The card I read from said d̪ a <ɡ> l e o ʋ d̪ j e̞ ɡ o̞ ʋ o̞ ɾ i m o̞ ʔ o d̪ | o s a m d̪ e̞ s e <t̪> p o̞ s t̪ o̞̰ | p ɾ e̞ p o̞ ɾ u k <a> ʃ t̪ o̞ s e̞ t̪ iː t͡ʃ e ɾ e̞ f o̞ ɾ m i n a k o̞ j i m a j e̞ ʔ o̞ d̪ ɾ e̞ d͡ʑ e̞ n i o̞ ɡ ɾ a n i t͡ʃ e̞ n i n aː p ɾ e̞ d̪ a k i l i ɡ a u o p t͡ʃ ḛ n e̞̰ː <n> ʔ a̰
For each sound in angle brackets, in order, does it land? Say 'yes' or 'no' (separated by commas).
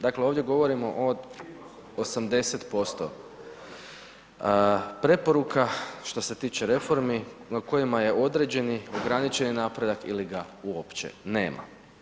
no, yes, yes, no